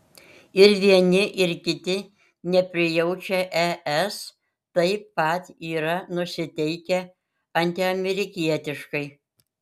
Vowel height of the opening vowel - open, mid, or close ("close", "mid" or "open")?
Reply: close